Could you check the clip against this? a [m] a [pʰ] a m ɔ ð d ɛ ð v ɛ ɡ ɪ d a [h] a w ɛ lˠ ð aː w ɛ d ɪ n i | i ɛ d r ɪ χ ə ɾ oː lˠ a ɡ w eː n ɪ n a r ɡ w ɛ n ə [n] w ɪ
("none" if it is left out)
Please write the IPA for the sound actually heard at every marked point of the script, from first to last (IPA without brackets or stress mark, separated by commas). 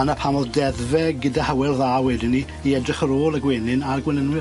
n, pʰ, h, n